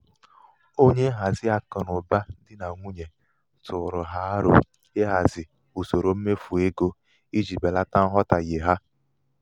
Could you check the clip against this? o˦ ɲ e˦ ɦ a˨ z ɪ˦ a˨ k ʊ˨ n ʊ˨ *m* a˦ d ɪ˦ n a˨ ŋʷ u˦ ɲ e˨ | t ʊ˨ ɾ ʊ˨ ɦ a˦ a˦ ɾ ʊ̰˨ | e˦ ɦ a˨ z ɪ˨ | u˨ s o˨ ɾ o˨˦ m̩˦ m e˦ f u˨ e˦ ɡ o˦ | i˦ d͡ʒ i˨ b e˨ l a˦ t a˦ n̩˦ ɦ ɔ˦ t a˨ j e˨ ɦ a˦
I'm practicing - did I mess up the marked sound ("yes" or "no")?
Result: yes